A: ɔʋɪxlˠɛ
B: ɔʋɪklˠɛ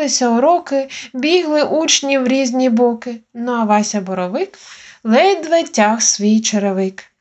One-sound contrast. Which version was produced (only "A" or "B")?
B